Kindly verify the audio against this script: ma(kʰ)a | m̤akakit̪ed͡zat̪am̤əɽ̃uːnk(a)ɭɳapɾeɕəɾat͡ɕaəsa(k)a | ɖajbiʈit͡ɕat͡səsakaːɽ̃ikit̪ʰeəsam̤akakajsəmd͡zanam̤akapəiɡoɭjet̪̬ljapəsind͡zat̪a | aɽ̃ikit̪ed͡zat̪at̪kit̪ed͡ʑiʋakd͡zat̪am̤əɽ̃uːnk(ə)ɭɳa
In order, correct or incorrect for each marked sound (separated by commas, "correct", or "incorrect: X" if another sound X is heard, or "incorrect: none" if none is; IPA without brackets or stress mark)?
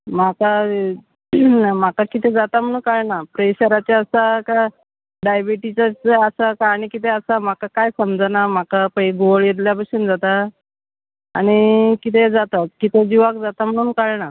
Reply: incorrect: k, correct, correct, incorrect: a